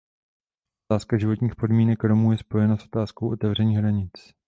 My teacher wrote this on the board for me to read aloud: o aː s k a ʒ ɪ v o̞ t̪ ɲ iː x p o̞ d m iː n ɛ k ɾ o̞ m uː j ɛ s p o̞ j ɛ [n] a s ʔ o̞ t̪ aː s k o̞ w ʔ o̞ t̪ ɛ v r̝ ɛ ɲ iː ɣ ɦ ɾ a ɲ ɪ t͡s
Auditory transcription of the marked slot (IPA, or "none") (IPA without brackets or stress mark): n